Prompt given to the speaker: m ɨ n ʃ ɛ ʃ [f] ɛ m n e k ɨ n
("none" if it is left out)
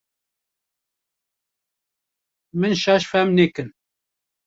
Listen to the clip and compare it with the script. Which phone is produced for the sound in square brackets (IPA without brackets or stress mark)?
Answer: f